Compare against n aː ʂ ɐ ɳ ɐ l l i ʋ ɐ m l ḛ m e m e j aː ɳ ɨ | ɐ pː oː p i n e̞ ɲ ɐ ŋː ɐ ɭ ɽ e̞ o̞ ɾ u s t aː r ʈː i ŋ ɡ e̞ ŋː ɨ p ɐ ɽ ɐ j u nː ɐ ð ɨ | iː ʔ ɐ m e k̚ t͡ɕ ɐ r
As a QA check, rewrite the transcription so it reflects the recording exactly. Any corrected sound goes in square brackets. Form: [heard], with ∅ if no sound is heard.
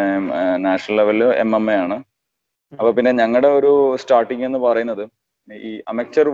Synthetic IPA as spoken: n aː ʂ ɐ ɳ ɐ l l [e] ʋ ɐ [∅] l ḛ m e m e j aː ɳ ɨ | ɐ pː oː p i [nː] e̞ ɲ ɐ ŋː ɐ ɭ ɽ e̞ o̞ ɾ u s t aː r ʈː i ŋ ɡ e̞ [nː] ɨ p ɐ [r] ɐ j u nː ɐ ð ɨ | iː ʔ ɐ m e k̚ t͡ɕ ɐ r